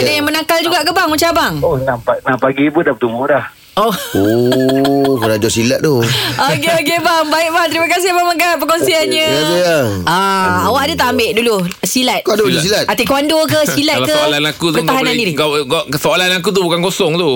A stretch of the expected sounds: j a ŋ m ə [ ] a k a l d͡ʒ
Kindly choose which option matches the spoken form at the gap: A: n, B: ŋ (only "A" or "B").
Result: A